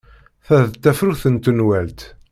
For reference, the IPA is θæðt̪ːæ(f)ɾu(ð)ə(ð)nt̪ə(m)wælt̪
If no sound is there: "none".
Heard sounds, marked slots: f, θ, none, n

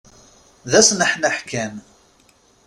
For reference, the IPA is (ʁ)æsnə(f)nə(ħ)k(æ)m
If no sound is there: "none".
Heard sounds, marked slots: ð, ħ, ħ, æ

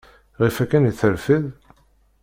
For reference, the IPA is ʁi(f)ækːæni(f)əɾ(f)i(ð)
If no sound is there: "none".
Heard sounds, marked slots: f, θ, f, ð

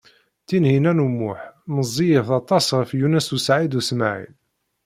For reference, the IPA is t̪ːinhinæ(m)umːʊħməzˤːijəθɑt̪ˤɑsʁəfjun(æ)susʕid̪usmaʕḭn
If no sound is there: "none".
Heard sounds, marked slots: n, æ

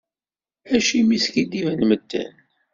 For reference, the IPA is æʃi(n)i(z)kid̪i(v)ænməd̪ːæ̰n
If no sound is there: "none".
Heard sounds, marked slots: m, s, v

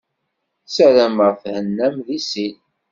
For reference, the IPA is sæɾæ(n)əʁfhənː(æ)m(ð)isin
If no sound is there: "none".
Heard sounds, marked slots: m, æ, ð

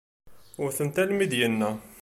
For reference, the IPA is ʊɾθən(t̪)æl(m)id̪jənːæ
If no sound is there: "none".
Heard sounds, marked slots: t̪, m

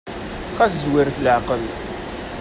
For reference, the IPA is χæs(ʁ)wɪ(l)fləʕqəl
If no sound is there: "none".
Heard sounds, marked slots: z, ɾ

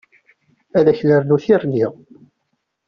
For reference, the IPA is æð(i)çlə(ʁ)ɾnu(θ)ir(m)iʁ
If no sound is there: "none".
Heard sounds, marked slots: æ, none, θ, n

